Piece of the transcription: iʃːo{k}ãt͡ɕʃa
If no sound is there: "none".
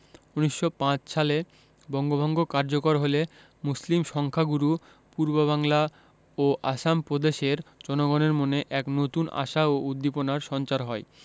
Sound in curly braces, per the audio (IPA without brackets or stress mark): p